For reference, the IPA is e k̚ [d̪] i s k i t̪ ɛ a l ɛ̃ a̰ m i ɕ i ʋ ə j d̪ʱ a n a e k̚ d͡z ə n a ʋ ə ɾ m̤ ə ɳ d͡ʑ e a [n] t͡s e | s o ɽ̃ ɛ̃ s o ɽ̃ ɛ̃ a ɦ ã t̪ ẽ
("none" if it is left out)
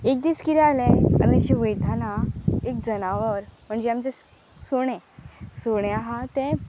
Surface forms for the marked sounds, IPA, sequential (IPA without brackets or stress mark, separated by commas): d̪, m